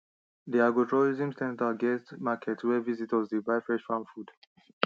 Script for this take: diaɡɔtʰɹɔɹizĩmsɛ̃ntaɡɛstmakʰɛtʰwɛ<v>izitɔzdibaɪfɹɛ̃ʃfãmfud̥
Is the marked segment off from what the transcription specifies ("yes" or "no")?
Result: no